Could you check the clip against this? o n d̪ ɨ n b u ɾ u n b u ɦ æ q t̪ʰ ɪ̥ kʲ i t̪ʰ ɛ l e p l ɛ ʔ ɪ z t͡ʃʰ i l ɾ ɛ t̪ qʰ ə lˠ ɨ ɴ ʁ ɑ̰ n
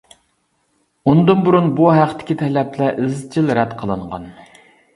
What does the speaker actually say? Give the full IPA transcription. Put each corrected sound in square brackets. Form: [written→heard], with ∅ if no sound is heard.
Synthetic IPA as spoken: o n d̪ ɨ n b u ɾ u n b u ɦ æ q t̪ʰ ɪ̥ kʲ i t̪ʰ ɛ l [e→ɛ] p l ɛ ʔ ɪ z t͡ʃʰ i l ɾ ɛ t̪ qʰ ə lˠ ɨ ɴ ʁ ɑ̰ n